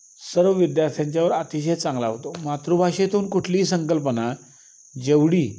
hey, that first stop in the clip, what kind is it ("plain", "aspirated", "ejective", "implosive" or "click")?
plain